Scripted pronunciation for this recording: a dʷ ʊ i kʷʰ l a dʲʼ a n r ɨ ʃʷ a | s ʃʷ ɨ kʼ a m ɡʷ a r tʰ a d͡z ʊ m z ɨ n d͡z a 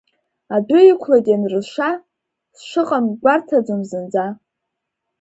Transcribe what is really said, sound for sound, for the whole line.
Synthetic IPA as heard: a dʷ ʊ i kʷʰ l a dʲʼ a n r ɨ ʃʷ a | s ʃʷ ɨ qʼ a m ɡʷ a r tʰ a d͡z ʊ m z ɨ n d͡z a